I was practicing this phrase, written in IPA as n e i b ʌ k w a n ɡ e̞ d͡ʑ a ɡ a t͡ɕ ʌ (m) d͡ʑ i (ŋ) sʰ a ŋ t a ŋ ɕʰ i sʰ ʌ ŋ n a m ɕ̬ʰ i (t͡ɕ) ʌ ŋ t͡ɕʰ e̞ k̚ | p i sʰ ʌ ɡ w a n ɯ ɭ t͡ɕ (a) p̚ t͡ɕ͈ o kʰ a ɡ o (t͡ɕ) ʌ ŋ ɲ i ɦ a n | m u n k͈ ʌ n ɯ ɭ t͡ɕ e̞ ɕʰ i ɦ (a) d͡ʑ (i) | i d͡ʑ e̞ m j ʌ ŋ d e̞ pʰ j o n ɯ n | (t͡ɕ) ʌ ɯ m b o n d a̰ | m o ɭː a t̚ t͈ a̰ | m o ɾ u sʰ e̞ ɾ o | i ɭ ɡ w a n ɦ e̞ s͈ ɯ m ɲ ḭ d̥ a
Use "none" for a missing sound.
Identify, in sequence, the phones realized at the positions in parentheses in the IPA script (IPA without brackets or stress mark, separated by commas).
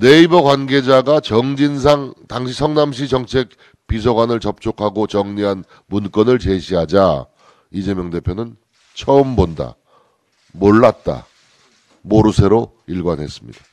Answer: ŋ, n, t͡ɕ, ʌ, t͡ɕ, a, a, t͡ɕʰ